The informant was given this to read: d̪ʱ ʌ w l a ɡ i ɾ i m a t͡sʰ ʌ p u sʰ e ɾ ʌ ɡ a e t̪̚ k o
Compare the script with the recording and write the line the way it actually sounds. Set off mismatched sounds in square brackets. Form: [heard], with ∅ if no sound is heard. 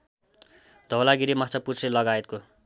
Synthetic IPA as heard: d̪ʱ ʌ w l a ɡ i ɾ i m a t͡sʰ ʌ p u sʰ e [l] ʌ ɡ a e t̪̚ k o